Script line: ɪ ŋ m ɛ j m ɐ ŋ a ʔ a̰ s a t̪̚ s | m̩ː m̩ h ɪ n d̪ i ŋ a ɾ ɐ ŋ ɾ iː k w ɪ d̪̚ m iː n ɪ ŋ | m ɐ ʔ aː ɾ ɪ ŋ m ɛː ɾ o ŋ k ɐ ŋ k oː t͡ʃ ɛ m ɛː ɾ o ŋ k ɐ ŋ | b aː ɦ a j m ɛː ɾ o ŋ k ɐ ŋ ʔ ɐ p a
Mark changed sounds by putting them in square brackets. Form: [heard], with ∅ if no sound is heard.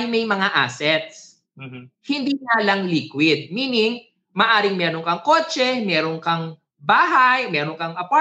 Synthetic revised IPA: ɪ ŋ m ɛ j m ɐ ŋ a ʔ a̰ s [ɛ] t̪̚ s | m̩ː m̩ h ɪ n d̪ i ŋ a [l] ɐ ŋ [l] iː k w ɪ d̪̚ m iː n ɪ ŋ | m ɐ ʔ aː ɾ ɪ ŋ m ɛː ɾ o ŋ k ɐ ŋ k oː t͡ʃ ɛ m ɛː ɾ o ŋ k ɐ ŋ | b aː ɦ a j m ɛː ɾ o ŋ k ɐ ŋ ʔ ɐ p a